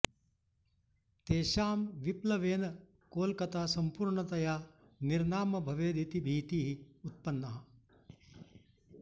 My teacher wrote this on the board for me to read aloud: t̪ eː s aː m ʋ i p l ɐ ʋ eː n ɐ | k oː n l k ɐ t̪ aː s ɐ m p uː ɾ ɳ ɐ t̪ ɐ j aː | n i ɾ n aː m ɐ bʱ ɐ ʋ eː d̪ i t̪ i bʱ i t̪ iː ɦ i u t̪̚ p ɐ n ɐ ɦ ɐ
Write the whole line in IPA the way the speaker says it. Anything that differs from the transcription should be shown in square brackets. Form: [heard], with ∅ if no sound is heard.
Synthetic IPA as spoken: t̪ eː [ʃ] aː m ʋ i p l ɐ ʋ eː n ɐ | k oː [∅] l k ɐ t̪ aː s ɐ m p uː ɾ ɳ ɐ t̪ ɐ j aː | n i ɾ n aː m ɐ bʱ ɐ ʋ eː d̪ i t̪ i bʱ [iː] t̪ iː ɦ i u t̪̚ p ɐ [nː] ɐ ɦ ɐ

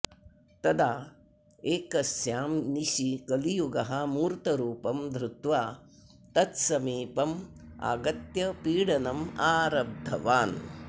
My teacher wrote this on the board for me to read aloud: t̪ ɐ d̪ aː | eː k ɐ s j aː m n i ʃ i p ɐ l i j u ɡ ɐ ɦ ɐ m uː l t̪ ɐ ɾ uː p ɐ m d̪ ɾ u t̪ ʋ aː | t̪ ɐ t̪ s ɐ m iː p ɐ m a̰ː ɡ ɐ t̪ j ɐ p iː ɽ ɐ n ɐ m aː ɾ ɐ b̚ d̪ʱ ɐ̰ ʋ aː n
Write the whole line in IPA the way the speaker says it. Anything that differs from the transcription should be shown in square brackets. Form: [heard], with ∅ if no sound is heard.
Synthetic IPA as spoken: t̪ ɐ d̪ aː | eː k ɐ s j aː m n i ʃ i [k] ɐ l i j u ɡ ɐ ɦ ɐ m uː [ɾ] t̪ ɐ ɾ uː p ɐ m d̪ ɾ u t̪ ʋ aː | t̪ ɐ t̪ s ɐ m iː p ɐ m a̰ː ɡ ɐ t̪ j ɐ p iː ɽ ɐ n ɐ m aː ɾ ɐ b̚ d̪ʱ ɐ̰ ʋ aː n

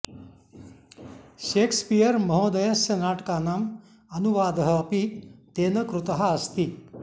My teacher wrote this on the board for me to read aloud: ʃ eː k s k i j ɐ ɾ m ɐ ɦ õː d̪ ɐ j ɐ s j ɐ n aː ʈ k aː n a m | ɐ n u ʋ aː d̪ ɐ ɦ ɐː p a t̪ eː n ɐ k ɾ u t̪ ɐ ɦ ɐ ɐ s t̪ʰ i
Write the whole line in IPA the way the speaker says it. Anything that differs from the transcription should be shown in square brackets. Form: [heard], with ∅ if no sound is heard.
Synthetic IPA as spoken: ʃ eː k s [p] i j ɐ ɾ m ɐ ɦ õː d̪ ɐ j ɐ s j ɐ n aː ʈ k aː n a m | ɐ n u ʋ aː d̪ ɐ ɦ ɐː p [i] t̪ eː n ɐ k ɾ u t̪ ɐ ɦ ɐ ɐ s [t̪] i

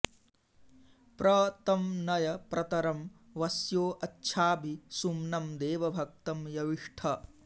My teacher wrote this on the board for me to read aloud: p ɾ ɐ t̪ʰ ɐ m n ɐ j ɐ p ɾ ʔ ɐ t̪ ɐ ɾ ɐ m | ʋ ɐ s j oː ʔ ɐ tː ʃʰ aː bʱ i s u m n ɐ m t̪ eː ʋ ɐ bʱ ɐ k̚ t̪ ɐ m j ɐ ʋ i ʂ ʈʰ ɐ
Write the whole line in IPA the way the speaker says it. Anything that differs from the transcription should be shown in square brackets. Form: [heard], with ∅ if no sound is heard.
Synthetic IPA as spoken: p ɾ ɐ [t̪] ɐ m n ɐ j ɐ p ɾ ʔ ɐ t̪ ɐ ɾ ɐ m | ʋ ɐ s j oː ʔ ɐ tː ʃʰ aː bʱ i s u m n ɐ m [d̪] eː ʋ ɐ bʱ ɐ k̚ t̪ ɐ m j ɐ ʋ i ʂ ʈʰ ɐ

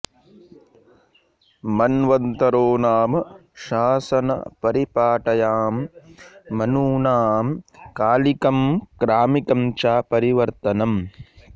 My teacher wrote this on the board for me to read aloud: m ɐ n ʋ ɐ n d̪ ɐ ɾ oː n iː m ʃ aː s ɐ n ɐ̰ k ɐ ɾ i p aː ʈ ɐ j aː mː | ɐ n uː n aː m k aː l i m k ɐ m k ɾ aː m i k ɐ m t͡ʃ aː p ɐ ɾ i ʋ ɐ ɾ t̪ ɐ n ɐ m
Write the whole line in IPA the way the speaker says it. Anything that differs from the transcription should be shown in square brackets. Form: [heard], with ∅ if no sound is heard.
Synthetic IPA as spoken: m ɐ n ʋ ɐ n [t̪] ɐ ɾ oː n [aː] m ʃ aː s ɐ n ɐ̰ [p] ɐ ɾ i p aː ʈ ɐ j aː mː | ɐ n uː n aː m k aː l i [∅] k ɐ m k ɾ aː m i k ɐ m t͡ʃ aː p ɐ ɾ i ʋ ɐ ɾ t̪ ɐ n ɐ m

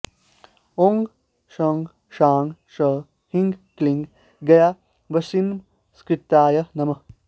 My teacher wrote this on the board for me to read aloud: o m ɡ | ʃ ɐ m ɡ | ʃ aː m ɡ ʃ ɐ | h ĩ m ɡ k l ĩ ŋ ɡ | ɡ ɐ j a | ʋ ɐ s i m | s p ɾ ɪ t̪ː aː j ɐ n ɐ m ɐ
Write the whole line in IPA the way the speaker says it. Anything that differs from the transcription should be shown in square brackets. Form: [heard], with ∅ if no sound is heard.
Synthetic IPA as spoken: o [ŋ] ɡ | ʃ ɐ [ŋ] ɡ | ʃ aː [ŋ] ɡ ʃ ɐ | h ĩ [ŋ] ɡ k l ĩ ŋ ɡ | ɡ ɐ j a | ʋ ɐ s i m | s [k] ɾ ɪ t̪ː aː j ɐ n ɐ m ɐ

